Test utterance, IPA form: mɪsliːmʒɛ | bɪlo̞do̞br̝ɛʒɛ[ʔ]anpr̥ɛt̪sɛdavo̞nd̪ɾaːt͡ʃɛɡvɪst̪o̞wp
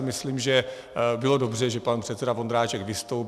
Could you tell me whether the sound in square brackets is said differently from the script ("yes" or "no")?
yes